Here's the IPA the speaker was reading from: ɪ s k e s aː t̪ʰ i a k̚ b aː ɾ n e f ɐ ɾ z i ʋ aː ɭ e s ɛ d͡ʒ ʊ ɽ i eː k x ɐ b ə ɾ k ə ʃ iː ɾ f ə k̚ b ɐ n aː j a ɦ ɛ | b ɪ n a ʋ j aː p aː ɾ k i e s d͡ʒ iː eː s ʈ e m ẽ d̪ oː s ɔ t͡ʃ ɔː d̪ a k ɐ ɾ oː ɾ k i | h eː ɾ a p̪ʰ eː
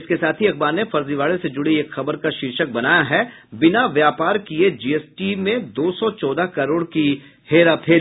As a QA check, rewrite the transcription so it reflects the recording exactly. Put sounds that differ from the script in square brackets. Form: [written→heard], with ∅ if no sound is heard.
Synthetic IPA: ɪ s k e s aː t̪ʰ i [a→ɐ] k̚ b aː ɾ n e f ɐ ɾ z i ʋ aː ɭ e s [ɛ→e] d͡ʒ ʊ ɽ i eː k x ɐ b ə ɾ k [ə→a] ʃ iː ɾ [f→ʃ] ə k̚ b ɐ n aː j a ɦ ɛ | b ɪ n a ʋ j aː p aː ɾ k i e [s→∅] d͡ʒ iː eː s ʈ [e→i] m ẽ d̪ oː s ɔ t͡ʃ ɔː d̪ a k ɐ ɾ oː [ɾ→ɽ] k i | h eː ɾ a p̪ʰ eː